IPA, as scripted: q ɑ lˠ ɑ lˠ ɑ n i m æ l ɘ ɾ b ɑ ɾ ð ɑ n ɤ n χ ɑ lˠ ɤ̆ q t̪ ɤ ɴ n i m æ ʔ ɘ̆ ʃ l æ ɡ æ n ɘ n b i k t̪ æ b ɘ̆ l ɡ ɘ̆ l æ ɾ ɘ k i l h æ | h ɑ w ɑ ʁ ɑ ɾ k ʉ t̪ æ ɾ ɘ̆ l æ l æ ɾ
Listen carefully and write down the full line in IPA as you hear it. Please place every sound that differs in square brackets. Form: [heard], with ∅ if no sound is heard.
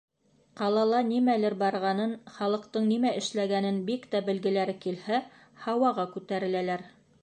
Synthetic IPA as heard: q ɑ lˠ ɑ lˠ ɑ n i m æ l ɘ ɾ b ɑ ɾ [ʁ] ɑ n ɤ n χ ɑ lˠ ɤ̆ q t̪ ɤ ɴ n i m æ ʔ ɘ̆ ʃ l æ ɡ æ n ɘ n b i k t̪ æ b ɘ̆ l ɡ ɘ̆ l æ ɾ ɘ k i l h æ | h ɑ w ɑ ʁ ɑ [∅] k ʉ t̪ æ ɾ ɘ̆ l æ l æ ɾ